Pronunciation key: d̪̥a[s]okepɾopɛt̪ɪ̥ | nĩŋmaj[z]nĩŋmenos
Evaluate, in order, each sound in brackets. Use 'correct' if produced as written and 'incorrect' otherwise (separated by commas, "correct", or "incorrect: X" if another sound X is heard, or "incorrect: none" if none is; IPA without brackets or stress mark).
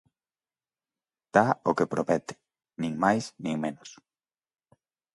incorrect: none, incorrect: s